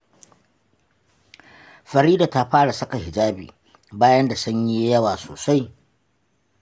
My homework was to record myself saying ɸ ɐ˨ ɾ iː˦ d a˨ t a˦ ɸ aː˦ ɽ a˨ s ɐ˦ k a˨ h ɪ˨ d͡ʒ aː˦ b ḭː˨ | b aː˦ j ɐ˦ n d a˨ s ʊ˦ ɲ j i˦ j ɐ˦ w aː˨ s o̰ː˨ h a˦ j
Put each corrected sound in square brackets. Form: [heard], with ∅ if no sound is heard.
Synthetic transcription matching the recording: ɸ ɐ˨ ɾ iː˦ d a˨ t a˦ ɸ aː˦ ɽ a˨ s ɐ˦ k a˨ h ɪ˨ d͡ʒ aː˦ b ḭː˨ | b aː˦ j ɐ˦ n d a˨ s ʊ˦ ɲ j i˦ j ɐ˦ w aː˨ s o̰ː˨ [s] a˦ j

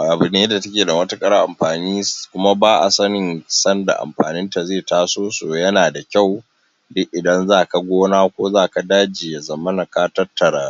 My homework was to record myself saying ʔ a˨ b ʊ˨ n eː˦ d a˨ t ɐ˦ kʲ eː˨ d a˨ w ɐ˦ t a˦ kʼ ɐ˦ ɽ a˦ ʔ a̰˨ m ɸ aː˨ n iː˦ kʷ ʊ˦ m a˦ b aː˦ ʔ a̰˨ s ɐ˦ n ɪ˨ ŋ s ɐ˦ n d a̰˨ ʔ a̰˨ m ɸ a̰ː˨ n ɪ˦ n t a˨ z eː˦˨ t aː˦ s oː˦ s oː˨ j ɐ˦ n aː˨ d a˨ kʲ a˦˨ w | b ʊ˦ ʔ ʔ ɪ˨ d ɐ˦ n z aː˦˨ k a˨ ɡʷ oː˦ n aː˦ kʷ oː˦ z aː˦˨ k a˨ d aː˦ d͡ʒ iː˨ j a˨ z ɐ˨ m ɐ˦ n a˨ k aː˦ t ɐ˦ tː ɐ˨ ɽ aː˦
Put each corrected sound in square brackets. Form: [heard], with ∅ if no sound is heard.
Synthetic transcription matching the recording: ʔ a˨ b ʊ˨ n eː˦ d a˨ t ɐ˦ kʲ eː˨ d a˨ w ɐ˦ t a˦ kʼ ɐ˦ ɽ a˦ ʔ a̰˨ m ɸ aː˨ n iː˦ kʷ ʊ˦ m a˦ b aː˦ ʔ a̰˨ s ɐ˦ n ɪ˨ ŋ s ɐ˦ n d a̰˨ ʔ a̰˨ m ɸ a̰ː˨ n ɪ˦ n t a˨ z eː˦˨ t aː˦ s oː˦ s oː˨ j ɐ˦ n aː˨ d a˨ kʲ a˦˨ w | [d] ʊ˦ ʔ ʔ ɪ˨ d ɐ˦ n z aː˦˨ k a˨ ɡʷ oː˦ n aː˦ kʷ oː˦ z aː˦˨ k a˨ d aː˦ d͡ʒ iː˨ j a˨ z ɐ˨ m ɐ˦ n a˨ k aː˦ t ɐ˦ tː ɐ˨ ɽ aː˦

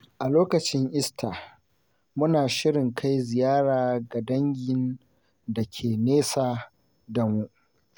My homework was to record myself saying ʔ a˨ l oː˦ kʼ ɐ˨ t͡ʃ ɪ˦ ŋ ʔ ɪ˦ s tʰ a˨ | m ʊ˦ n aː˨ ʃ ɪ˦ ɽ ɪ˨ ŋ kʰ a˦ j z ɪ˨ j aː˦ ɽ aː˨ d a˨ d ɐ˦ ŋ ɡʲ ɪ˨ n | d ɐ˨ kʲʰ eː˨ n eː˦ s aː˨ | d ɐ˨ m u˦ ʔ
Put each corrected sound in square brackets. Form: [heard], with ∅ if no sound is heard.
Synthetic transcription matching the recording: ʔ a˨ l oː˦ [k] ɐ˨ t͡ʃ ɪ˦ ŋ ʔ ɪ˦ s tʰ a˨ | m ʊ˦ n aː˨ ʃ ɪ˦ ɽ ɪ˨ ŋ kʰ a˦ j z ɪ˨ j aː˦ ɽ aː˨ [ɡ] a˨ d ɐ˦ ŋ ɡʲ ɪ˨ n | d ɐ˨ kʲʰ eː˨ n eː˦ s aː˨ | d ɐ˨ m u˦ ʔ

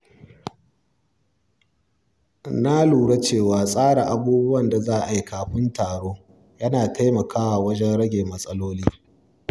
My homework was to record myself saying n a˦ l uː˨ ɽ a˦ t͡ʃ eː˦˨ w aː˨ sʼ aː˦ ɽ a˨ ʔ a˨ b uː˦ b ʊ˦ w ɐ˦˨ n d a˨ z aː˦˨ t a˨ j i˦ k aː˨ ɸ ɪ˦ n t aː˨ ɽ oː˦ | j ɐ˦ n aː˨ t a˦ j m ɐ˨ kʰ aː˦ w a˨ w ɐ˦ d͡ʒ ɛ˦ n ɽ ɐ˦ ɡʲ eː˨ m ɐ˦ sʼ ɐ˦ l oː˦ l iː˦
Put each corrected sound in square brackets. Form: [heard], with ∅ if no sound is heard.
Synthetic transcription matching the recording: n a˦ l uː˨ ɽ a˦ t͡ʃ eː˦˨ w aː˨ sʼ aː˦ ɽ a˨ ʔ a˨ b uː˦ b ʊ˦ w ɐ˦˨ n d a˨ z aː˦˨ [ʔ] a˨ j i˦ k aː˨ ɸ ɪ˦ n t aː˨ ɽ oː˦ | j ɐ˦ n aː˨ t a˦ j m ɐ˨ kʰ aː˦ w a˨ w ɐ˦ d͡ʒ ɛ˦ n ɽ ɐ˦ ɡʲ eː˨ m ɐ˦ sʼ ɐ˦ l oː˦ l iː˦

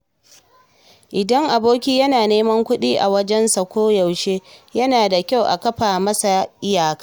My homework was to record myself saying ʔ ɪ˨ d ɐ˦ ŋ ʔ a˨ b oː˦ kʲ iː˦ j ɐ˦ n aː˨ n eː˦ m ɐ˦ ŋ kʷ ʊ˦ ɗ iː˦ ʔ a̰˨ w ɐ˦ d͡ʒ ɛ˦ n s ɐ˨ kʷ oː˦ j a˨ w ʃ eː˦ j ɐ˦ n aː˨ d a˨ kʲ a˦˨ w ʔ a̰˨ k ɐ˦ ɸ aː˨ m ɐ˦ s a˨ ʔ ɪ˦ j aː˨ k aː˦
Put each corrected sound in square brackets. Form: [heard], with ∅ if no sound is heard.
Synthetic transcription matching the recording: ʔ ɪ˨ d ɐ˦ ŋ ʔ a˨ b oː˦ kʲ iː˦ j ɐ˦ n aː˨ n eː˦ m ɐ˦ ŋ kʷ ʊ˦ ɗ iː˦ ʔ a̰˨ w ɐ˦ d͡ʒ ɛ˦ n s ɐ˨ kʷ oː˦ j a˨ w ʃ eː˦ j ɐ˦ n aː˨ d a˨ kʲ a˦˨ w ʔ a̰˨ k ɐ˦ ɸ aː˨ m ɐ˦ s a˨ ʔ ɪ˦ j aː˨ k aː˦

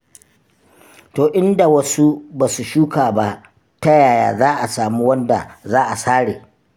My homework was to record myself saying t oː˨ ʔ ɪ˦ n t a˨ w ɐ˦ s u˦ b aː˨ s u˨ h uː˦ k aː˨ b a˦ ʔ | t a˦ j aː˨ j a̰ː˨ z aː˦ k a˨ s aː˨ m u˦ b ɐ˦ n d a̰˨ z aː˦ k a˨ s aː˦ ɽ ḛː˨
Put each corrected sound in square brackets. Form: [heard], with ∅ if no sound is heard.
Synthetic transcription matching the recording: t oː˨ ʔ ɪ˦ n [d] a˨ w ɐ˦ s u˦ b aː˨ s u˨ [ʃ] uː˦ k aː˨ b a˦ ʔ | t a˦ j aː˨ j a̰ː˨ z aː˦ [ʔ] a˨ s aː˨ m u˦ [w] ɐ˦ n d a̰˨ z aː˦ [ʔ] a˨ s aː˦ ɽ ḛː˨

